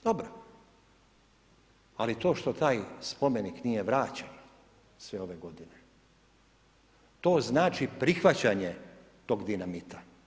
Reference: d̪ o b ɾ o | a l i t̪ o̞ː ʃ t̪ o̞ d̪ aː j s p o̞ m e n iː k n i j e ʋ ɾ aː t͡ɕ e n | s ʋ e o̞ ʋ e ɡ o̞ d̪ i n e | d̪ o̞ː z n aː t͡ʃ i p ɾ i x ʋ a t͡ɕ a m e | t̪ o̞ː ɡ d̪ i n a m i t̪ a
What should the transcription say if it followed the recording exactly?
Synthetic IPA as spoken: d̪ o b ɾ o | a l i t̪ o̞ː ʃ t̪ o̞ t̪ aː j s p o̞ m e n i k n i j e ʋ ɾ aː t͡ɕ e n | s ʋ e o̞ ʋ e ɡ o̞ d̪ i n e | t̪ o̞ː z n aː t͡ʃ i p ɾ i x ʋ a t͡ɕ a ɲ e | t̪ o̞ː ɡ d̪ i n a m i t̪ a